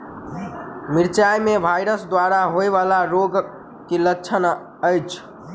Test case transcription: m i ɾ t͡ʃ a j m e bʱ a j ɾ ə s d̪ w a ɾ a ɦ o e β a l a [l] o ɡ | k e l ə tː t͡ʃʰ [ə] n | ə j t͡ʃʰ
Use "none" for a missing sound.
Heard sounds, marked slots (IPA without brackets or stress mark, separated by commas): ɾ, ə